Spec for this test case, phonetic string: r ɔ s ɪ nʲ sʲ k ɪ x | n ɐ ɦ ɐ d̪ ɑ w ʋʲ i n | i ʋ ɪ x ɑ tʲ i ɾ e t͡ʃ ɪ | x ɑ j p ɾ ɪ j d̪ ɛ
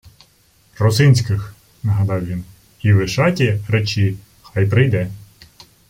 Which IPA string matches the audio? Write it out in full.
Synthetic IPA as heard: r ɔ s ɪ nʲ sʲ k ɪ x | n ɐ ɦ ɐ d̪ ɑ w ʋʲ i n | i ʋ ɪ ʃ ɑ tʲ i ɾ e t͡ʃ i | x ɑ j p ɾ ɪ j d̪ ɛ